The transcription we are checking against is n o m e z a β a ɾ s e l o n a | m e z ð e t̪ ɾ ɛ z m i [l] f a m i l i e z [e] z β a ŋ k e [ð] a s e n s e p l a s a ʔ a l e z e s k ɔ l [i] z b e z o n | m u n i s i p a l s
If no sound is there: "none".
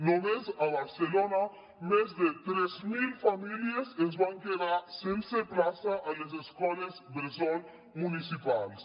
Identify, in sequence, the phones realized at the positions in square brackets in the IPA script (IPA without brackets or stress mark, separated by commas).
l, e, ð, e